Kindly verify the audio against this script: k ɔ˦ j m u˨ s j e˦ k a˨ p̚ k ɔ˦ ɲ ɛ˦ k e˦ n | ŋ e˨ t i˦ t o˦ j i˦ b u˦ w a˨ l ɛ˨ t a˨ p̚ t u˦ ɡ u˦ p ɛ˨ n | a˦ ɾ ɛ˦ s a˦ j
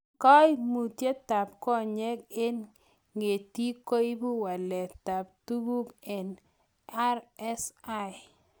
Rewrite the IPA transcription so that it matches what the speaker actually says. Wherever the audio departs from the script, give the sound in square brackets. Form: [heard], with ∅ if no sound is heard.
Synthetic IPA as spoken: k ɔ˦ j m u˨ [t] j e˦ [t] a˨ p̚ k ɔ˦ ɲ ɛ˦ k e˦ n | ŋ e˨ t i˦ [k] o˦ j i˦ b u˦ w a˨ l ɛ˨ t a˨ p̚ t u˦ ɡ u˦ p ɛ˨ n | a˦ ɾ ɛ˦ s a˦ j